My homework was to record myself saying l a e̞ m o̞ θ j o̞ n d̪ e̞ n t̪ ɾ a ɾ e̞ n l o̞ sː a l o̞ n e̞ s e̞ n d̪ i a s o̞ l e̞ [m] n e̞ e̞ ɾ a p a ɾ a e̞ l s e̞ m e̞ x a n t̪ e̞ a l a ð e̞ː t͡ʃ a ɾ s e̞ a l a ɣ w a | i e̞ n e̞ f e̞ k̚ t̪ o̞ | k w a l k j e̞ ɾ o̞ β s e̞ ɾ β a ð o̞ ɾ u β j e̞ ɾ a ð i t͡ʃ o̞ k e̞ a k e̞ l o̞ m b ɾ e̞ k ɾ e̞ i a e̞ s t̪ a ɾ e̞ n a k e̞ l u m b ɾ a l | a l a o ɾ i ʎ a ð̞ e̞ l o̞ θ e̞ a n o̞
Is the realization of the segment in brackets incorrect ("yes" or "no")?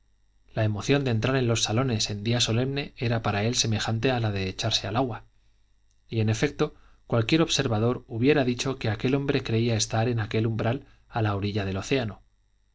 no